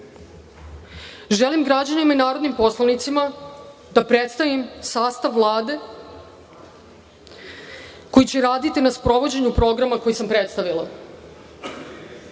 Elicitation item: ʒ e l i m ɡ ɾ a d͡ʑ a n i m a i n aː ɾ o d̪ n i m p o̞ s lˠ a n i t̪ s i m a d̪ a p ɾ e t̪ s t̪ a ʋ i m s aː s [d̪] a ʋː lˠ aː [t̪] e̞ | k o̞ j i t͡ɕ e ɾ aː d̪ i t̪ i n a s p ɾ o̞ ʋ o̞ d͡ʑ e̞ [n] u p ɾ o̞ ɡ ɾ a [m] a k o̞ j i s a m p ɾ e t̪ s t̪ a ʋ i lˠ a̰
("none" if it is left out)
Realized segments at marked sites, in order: t̪, d̪, ɲ, m

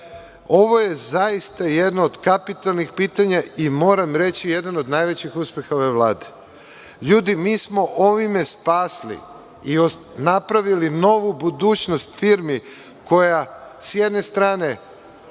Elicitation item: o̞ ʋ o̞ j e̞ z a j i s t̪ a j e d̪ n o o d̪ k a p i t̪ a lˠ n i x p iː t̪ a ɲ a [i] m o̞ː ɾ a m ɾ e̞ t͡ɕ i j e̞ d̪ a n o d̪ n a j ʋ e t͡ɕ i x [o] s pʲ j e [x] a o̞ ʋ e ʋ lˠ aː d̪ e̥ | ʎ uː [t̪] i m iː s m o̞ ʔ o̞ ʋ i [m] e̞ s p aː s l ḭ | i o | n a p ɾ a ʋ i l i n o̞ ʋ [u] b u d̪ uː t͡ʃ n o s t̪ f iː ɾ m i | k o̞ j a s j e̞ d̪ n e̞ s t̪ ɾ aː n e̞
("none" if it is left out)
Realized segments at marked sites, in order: i, u, x, d̪, m, u

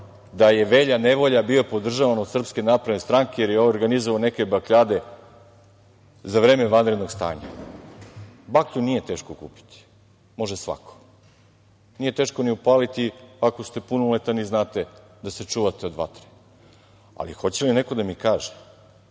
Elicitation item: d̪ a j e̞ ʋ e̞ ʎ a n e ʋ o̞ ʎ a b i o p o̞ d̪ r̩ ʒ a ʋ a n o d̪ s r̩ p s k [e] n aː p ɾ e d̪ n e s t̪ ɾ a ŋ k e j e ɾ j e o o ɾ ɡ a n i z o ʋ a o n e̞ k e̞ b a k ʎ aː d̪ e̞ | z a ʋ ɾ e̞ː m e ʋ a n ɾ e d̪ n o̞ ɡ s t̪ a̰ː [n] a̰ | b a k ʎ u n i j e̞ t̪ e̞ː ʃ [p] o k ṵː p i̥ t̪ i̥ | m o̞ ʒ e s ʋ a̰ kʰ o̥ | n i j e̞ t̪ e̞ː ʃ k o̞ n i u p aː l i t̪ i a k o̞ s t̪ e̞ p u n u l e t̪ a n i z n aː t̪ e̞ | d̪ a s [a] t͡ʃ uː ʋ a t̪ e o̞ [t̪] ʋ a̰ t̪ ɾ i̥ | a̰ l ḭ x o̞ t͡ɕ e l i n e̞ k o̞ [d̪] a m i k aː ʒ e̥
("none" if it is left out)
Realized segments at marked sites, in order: e, ɲ, k, e, d̪, d̪

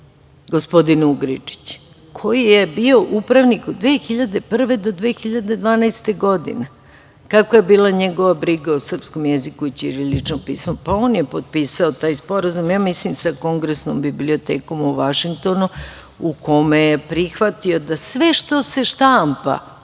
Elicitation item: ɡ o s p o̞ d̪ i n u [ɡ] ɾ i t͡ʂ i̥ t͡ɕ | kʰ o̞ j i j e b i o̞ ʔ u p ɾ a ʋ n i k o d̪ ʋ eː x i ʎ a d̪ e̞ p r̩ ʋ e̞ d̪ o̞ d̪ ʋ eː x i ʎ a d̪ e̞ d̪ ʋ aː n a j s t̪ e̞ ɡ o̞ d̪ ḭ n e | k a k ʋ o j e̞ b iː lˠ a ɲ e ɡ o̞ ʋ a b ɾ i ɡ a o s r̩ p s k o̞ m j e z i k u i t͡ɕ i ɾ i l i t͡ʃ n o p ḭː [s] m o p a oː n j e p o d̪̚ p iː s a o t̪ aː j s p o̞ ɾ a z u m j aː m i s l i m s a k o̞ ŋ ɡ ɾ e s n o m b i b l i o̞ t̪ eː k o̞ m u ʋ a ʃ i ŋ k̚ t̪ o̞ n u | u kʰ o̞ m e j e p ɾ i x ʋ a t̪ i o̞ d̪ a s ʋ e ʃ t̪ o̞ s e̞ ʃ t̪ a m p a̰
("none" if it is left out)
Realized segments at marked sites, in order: ɡ, s

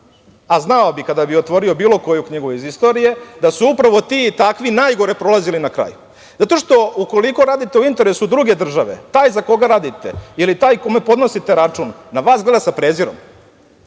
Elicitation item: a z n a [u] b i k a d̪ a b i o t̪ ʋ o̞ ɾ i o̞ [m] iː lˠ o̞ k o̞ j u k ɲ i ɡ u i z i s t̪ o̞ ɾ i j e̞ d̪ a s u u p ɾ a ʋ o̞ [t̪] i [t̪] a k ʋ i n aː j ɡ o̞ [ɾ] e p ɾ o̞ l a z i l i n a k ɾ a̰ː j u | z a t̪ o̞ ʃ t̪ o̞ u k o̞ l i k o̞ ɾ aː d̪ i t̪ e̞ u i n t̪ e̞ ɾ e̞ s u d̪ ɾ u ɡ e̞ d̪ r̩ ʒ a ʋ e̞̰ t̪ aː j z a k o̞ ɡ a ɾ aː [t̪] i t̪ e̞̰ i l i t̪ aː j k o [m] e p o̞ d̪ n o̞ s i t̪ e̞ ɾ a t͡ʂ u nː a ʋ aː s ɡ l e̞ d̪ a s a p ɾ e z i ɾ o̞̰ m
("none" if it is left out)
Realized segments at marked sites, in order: o, b, t̪, t̪, ɾ, d̪, m

